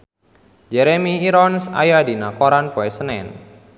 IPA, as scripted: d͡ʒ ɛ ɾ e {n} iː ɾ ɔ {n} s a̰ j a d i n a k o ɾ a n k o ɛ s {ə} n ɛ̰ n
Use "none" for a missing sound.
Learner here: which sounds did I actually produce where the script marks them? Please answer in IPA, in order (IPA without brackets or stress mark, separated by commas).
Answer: m, n, ə